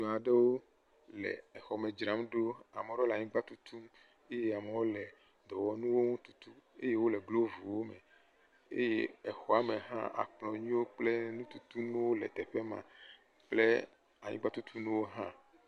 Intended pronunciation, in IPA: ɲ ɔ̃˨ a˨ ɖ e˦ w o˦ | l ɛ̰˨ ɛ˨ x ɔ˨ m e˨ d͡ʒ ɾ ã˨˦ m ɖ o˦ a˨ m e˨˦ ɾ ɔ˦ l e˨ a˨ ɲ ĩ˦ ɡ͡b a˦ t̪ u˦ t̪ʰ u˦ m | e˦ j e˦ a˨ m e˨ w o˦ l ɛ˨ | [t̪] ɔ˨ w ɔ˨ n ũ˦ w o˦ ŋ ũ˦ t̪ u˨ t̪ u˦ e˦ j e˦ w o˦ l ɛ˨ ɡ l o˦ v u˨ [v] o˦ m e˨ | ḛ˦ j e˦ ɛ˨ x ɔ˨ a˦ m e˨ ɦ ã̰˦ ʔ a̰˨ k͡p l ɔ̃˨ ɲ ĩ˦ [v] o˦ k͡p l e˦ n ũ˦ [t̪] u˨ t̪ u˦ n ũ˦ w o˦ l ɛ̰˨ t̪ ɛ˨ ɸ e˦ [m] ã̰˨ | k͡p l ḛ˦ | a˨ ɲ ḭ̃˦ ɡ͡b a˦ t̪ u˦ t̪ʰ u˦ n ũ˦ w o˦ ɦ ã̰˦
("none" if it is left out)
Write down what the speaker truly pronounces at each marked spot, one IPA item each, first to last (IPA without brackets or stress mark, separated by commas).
d̪, w, w, t̪, m